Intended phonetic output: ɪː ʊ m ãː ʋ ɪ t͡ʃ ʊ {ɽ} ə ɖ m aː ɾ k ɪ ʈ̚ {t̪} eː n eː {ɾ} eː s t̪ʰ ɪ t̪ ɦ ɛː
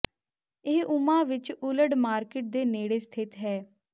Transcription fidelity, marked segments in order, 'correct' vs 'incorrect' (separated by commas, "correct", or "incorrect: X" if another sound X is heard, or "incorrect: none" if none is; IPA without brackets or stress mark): incorrect: l, incorrect: d̪, incorrect: ɽ